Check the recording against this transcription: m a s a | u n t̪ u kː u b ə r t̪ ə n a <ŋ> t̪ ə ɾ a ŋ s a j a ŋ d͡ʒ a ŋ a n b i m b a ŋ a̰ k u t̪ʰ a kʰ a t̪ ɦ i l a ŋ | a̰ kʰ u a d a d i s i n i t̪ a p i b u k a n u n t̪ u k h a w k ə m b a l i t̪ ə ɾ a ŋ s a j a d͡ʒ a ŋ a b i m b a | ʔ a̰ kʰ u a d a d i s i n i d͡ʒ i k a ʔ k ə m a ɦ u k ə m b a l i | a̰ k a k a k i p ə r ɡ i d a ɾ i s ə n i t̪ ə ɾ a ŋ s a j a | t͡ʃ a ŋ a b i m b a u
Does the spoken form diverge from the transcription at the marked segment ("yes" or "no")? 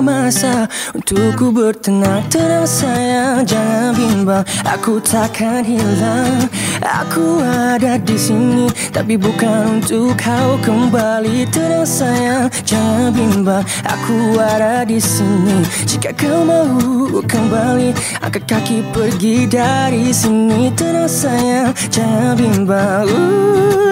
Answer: no